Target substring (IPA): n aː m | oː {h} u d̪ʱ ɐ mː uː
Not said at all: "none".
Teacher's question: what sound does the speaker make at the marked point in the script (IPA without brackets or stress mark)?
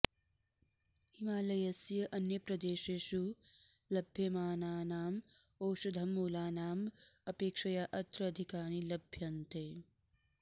ʃ